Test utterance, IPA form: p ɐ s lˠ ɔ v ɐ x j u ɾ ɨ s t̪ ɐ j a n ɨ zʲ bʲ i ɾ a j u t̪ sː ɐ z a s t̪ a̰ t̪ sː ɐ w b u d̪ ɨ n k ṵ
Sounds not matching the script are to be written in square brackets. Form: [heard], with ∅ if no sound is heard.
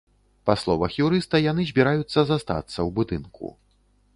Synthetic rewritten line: p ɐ s lˠ ɔ v ɐ x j u ɾ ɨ s t̪ ɐ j a n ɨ zʲ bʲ i ɾ a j u t̪ sː ɐ z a s t̪ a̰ t̪ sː ɐ w b u d̪ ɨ n k ṵ